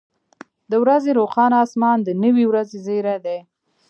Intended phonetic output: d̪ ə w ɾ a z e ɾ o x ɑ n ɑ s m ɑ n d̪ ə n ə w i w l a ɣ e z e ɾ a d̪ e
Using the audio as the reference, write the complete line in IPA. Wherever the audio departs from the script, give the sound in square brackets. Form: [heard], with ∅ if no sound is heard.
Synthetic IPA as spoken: d̪ ə w ɾ a z e ɾ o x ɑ n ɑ s m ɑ n d̪ ə n ə w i w [ɾ] a [z] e z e ɾ a d̪ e